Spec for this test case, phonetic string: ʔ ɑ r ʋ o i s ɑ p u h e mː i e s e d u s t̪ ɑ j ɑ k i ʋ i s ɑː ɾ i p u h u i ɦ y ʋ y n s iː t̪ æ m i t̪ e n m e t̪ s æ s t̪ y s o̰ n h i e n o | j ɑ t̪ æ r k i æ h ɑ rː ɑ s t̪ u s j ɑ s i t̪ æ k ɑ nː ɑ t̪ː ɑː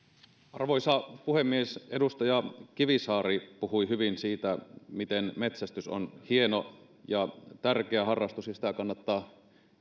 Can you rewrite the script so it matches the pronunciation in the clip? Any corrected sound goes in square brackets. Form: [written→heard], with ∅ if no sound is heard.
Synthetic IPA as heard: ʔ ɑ r ʋ o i s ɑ p u h e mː i e s e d u s t̪ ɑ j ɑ k i ʋ i s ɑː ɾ i p u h u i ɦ y ʋ [y→i] n s iː t̪ æ m i t̪ e n m e t̪ s æ s t̪ y s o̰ n h i e n o | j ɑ t̪ æ r k [i→e] æ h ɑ rː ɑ s t̪ u s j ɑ s i t̪ æ k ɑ nː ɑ t̪ː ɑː